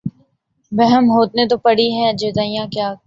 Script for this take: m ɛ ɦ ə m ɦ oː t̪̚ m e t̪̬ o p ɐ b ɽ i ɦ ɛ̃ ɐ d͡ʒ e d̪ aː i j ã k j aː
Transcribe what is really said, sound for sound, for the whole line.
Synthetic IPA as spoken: b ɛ ɦ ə m ɦ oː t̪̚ n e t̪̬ o p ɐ ɽ i ɦ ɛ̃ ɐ d͡ʒ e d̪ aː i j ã k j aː